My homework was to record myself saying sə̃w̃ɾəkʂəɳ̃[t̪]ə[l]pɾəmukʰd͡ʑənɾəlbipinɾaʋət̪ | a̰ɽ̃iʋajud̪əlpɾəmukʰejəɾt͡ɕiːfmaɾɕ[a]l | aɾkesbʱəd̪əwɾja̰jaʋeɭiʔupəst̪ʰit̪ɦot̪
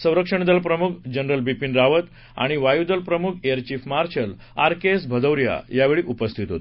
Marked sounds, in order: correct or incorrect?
incorrect, correct, incorrect

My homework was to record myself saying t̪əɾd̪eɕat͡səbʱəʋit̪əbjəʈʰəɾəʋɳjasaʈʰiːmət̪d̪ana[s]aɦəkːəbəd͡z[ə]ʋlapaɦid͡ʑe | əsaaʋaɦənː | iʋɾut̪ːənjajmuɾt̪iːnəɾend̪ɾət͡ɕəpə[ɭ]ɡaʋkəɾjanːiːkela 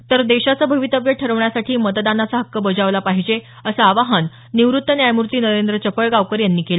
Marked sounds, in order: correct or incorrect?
incorrect, incorrect, correct

